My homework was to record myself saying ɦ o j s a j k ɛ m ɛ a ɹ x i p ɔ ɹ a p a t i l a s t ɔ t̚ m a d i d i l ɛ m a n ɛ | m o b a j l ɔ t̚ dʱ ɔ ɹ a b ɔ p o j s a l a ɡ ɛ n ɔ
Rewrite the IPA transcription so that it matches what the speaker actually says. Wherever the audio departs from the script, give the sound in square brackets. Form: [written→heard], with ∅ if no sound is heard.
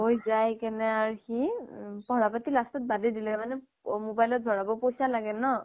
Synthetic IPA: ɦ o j [s→z] a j k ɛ [m→n] ɛ a ɹ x i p ɔ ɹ a p a t i l a s t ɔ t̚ [m→b] a d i d i l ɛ m a n ɛ | m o b a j l ɔ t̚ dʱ ɔ ɹ a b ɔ p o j s a l a ɡ ɛ n ɔ